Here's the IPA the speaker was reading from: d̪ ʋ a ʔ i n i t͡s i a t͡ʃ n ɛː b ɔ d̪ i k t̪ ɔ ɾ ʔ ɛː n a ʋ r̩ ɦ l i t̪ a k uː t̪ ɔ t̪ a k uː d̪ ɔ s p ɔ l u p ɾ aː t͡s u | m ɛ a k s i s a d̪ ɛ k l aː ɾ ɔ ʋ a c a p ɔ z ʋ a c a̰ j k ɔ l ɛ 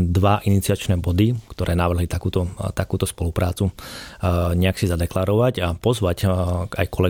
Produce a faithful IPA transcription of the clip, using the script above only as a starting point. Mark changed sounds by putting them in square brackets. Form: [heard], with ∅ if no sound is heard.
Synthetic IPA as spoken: d̪ ʋ a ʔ i n i t͡s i a t͡ʃ n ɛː b ɔ d̪ i k t̪ ɔ ɾ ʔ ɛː n a ʋ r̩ ɦ l i t̪ a k uː t̪ ɔ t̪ a k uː [t̪] ɔ s p ɔ l u p ɾ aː t͡s u | [ɲ] ɛ a k s i [z] a d̪ ɛ k l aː ɾ ɔ ʋ a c a p ɔ z ʋ a c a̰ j k ɔ l ɛ